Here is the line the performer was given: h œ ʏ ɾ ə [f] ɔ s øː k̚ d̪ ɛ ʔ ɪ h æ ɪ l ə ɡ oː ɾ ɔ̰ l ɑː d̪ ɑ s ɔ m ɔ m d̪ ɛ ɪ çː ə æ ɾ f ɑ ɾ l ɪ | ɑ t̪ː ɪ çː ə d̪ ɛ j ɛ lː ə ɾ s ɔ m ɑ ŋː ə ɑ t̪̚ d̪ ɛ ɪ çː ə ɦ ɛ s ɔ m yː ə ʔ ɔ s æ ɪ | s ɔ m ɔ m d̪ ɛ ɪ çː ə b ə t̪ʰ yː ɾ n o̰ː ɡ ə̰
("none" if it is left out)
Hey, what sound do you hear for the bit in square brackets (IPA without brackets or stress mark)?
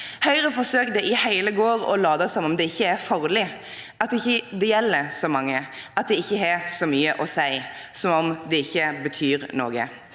f